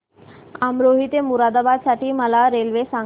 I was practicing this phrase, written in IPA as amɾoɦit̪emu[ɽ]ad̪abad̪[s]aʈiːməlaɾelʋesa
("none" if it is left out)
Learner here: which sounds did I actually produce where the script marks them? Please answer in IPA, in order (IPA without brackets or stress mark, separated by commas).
ɾ, s